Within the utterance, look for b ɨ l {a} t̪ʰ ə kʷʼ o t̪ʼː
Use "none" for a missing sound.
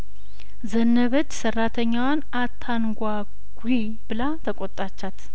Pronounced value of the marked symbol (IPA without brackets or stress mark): a